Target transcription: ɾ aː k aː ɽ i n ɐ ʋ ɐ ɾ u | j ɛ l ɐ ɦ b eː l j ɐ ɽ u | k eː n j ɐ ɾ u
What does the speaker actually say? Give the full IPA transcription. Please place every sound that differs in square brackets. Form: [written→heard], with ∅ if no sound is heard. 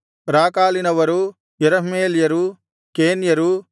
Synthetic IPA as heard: ɾ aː k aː [ɽ→l] i n ɐ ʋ ɐ ɾ u | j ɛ [l→ɾ] ɐ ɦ [b→m] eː l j ɐ [ɽ→ɾ] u | k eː n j ɐ ɾ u